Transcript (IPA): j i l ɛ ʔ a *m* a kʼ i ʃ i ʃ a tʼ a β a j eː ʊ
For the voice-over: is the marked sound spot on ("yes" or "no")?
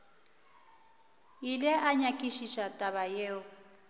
no